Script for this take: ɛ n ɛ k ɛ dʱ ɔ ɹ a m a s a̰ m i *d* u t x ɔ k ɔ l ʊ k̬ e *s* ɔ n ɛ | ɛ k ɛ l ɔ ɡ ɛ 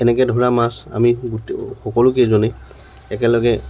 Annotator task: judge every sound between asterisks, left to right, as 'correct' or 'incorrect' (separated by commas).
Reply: incorrect, incorrect